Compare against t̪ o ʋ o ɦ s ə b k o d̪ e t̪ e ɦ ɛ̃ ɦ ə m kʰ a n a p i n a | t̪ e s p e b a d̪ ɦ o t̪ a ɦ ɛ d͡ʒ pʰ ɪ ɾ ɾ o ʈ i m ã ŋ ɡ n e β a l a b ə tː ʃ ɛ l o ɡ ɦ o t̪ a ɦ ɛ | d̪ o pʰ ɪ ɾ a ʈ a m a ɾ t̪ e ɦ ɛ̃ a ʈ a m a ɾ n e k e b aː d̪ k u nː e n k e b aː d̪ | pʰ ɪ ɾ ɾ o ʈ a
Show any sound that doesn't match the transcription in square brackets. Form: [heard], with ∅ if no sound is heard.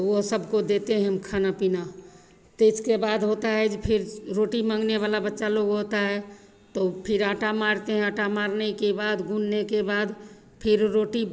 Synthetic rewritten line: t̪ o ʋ o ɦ s ə b k o d̪ e t̪ e ɦ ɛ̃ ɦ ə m kʰ a n a p i n a | t̪ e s [k] e b a d̪ ɦ o t̪ a ɦ ɛ d͡ʒ pʰ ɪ ɾ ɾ o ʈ i m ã ŋ ɡ n e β a l a b ə tː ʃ [a] l o ɡ ɦ o t̪ a ɦ ɛ | [t̪] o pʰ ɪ ɾ a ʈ a m a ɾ t̪ e ɦ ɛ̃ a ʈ a m a ɾ n e k e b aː d̪ [ɡ] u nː e [∅] k e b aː d̪ | pʰ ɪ ɾ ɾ o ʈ [i]

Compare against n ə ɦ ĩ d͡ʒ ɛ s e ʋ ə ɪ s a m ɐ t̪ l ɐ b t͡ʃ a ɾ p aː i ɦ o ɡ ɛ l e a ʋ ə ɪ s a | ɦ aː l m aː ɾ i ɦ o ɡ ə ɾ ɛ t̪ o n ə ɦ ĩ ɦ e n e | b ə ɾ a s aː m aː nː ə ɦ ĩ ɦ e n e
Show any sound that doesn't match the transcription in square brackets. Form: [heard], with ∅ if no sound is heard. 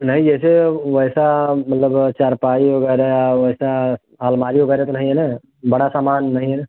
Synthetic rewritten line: n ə ɦ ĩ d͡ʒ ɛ s e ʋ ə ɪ s a m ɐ t̪ l [ə] b t͡ʃ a ɾ p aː i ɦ o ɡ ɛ [ɾ] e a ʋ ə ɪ s a | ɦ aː l m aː ɾ i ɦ o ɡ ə ɾ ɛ t̪ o n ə ɦ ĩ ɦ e n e | b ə [ɽ] a s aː m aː nː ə ɦ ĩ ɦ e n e

